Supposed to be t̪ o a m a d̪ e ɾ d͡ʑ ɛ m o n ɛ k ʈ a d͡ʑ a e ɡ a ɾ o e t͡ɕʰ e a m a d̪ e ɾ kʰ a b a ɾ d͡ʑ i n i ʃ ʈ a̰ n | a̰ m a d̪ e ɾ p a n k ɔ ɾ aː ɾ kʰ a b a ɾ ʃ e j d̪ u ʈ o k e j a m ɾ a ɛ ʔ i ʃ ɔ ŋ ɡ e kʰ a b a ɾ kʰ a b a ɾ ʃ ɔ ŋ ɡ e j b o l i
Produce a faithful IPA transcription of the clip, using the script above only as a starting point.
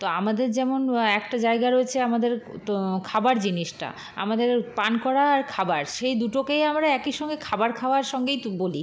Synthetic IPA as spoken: t̪ o a m a d̪ e ɾ d͡ʑ ɛ m o n ɛ k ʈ a d͡ʑ a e ɡ a ɾ o e t͡ɕʰ e a m a d̪ e ɾ kʰ a b a ɾ d͡ʑ i n i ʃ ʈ a̰ | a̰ m a d̪ e ɾ p a n k ɔ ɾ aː ɾ kʰ a b a ɾ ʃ e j d̪ u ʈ o k e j a m ɾ a ɛ k i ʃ ɔ ŋ ɡ e kʰ a b a ɾ kʰ a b a ɾ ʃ ɔ ŋ ɡ e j b o l i